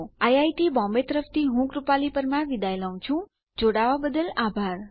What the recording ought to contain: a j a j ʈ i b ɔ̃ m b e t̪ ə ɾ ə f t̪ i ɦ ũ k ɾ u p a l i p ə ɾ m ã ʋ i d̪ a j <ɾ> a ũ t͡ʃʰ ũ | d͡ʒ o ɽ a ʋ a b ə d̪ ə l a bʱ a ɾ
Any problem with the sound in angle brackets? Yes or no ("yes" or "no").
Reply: yes